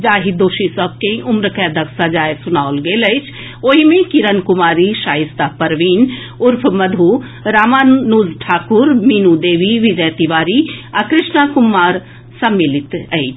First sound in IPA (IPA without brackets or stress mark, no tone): d͡ʒ